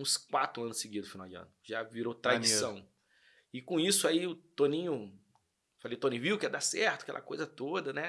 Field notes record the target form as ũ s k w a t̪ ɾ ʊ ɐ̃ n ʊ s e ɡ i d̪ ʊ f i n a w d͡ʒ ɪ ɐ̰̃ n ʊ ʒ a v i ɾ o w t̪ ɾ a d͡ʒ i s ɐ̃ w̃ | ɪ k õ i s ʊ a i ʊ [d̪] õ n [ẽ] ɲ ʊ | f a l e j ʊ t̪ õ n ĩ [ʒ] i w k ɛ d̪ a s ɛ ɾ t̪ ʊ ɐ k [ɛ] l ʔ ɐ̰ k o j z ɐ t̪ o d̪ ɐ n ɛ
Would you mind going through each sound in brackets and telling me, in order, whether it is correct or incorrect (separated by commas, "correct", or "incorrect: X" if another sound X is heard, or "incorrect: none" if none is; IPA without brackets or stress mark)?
incorrect: t̪, incorrect: ĩ, incorrect: v, correct